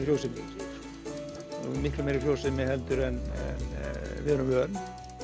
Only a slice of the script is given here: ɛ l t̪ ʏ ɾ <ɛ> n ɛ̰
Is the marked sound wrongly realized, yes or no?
no